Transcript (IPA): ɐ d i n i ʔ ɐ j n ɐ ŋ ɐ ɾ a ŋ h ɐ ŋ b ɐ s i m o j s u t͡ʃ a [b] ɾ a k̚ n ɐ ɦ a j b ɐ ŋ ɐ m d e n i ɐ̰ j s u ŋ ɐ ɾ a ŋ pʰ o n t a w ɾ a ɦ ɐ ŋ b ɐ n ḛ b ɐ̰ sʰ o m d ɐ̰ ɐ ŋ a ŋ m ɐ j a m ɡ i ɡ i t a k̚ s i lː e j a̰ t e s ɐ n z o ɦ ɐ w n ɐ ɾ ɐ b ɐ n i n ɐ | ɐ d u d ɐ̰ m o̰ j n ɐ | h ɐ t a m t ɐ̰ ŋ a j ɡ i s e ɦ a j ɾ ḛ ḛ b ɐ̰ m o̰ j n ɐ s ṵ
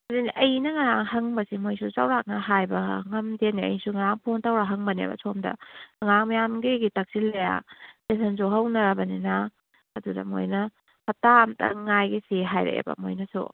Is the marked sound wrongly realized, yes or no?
yes